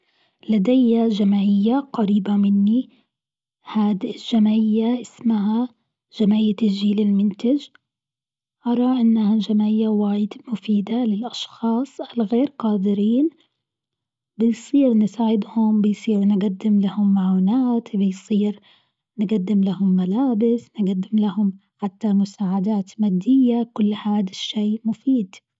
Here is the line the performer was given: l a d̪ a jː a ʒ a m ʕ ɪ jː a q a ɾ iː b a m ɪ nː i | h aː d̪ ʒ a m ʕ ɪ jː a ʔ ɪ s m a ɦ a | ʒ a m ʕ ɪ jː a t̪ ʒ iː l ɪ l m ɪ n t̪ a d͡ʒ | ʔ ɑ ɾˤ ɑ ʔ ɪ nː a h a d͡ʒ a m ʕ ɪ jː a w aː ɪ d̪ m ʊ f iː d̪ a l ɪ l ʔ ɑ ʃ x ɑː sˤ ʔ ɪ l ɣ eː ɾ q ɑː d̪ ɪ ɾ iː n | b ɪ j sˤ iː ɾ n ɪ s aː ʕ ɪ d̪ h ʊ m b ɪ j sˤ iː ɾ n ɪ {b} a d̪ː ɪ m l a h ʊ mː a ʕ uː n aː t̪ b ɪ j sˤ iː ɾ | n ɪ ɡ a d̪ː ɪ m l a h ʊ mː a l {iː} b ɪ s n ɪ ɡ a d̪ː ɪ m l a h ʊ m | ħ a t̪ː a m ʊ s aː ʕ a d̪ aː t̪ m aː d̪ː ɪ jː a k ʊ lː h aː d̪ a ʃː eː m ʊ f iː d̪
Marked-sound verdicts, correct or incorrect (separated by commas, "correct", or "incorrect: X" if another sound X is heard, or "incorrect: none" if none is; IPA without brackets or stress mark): incorrect: ɡ, incorrect: aː